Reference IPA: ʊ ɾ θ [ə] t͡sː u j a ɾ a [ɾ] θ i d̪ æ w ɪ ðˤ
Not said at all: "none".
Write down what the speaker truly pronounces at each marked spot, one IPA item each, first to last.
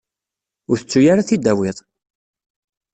ə, none

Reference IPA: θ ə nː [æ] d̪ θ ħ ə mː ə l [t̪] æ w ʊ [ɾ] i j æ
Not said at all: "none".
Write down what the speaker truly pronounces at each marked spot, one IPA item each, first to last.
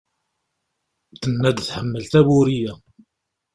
æ, t̪, ɾ

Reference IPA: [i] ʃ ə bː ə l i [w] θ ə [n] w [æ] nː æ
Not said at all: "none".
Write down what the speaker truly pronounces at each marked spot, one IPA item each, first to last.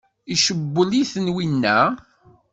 i, none, n, i

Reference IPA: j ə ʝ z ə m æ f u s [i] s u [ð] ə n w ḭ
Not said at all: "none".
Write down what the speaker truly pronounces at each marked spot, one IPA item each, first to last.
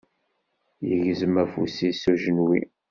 i, ʒ

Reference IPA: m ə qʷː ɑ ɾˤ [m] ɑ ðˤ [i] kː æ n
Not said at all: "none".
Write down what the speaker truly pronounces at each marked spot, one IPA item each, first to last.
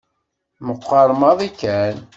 m, i

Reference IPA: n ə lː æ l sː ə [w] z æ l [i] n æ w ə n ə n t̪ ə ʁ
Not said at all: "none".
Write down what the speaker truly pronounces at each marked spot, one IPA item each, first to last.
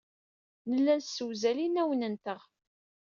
w, i

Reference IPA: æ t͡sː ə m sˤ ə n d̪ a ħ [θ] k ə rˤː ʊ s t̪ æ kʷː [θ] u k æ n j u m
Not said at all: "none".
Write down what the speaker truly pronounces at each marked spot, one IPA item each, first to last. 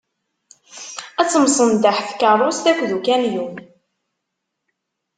θ, ð

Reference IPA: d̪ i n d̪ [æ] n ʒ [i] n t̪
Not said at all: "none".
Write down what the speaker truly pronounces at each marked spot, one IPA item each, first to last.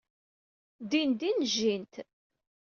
i, i

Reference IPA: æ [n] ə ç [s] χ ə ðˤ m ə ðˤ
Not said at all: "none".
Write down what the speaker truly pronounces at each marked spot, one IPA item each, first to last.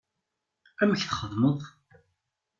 m, θ

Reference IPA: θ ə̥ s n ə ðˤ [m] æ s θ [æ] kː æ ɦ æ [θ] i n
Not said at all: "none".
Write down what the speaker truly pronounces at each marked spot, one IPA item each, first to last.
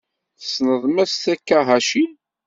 m, æ, ʃ

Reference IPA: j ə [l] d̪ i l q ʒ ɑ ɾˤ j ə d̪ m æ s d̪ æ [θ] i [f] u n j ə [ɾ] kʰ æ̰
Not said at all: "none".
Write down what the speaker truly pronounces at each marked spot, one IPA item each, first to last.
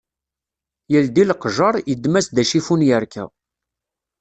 l, ʃ, f, ɾ

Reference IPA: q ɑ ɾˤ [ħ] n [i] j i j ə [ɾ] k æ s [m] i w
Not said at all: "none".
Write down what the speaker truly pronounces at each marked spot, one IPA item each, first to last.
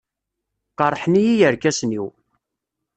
ħ, i, ɾ, n

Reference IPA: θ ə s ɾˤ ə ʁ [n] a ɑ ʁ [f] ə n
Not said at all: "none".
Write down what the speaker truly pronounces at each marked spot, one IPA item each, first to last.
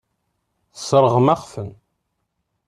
m, f

